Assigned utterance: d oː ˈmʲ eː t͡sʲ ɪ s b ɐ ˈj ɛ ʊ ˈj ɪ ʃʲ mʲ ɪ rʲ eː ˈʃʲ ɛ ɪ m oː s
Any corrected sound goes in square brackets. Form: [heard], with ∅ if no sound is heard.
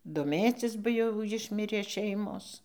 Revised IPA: d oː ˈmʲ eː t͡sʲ ɪ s b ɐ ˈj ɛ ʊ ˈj ɪ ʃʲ mʲ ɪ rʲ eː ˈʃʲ ɛ ɪ m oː s